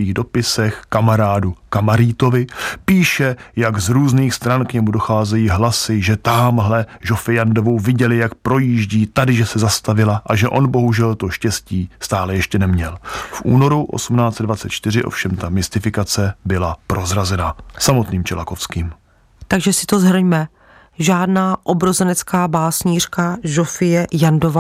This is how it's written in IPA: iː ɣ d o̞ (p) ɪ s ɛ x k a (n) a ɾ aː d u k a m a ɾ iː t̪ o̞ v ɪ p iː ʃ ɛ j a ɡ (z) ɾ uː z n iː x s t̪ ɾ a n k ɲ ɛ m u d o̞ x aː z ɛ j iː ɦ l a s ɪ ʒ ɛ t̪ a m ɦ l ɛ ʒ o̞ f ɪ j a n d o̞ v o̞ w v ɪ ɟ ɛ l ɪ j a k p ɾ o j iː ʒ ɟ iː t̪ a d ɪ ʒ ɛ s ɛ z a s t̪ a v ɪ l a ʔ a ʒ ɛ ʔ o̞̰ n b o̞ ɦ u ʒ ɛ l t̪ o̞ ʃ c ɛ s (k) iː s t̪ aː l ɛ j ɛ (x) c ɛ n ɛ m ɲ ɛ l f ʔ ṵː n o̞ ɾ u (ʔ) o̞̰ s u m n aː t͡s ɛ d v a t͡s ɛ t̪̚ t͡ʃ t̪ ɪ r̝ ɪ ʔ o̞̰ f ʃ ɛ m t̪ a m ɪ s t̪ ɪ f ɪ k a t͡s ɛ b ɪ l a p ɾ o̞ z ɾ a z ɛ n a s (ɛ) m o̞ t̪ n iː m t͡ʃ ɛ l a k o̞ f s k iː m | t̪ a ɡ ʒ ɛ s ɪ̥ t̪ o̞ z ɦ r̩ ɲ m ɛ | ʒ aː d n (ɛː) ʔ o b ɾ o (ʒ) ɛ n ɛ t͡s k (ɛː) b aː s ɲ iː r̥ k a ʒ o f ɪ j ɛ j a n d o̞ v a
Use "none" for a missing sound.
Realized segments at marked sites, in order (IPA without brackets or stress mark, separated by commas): p, m, z, c, ʃ, ʔ, a, aː, z, aː